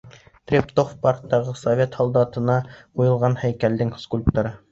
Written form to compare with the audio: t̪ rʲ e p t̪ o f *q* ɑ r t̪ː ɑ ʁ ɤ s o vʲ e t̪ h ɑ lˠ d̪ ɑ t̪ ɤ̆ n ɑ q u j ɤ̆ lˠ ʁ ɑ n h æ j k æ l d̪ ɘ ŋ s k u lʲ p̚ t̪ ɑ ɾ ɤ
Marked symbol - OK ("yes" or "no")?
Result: no